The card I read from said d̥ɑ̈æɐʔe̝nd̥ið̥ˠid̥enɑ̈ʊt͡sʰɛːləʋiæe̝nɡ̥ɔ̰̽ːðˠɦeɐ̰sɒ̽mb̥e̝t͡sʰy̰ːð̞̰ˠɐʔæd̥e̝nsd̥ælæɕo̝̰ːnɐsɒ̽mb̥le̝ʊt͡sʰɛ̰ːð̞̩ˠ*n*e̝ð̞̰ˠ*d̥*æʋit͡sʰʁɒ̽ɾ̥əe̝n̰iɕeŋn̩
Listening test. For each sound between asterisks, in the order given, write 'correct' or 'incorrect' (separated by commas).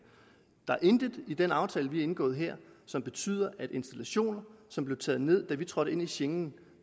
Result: correct, correct